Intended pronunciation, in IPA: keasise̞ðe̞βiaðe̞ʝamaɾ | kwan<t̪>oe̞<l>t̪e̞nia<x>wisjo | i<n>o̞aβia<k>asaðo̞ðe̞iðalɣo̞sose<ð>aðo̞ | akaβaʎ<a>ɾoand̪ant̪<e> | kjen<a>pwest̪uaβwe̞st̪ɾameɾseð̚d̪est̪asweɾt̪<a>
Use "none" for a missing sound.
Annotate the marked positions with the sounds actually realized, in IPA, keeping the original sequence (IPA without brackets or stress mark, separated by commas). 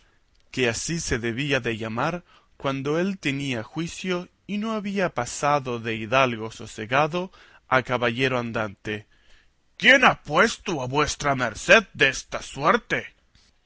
d̪, l, x, n, p, ɣ, e, e, a, e